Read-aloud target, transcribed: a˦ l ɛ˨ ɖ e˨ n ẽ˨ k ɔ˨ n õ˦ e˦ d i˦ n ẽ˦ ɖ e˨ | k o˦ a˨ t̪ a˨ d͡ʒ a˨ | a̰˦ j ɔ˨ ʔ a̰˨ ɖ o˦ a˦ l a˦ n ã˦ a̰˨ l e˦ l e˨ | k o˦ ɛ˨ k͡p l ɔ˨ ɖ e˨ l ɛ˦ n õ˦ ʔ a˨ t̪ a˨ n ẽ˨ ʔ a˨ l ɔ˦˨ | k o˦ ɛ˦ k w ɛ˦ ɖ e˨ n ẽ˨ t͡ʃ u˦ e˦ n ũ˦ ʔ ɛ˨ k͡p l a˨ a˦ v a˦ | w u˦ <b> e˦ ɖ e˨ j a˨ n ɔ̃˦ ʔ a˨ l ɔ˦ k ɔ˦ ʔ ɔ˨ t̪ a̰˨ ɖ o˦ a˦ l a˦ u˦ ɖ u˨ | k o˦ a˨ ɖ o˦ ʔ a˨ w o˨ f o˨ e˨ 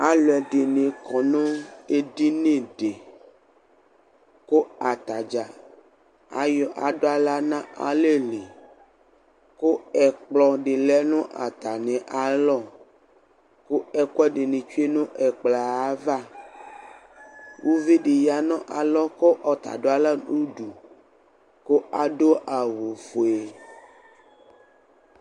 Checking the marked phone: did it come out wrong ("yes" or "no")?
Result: yes